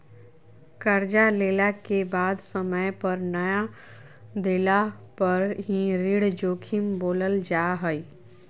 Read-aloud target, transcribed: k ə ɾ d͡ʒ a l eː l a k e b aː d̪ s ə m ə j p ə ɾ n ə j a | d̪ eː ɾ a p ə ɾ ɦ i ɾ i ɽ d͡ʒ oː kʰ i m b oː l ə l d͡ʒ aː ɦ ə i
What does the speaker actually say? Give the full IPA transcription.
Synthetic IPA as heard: k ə ɾ d͡ʒ a l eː l a k e b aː d̪ s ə m ə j p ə ɾ n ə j a | d̪ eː l a p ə ɾ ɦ i ɾ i ɽ d͡ʒ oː kʰ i m b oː l ə l d͡ʒ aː ɦ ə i